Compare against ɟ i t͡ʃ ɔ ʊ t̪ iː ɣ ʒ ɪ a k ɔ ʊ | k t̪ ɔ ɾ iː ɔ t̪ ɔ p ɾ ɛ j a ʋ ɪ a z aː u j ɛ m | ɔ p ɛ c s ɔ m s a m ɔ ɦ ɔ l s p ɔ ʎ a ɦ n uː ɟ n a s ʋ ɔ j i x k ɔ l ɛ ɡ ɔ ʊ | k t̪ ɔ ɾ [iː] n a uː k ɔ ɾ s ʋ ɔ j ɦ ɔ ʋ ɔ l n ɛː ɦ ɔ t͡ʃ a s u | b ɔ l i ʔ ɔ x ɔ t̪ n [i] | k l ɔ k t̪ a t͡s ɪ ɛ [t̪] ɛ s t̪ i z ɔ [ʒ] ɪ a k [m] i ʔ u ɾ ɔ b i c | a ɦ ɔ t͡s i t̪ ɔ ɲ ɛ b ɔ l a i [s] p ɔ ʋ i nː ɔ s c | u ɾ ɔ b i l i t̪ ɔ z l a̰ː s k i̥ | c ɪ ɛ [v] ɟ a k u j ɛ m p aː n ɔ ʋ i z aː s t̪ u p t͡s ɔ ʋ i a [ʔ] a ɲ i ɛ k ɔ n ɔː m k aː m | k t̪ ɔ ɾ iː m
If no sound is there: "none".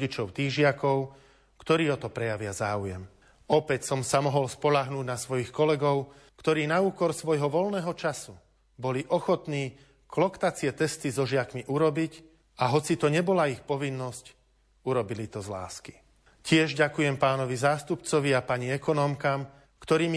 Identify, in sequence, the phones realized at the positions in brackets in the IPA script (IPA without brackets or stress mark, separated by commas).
iː, iː, t̪, ʒ, m, x, ʒ, p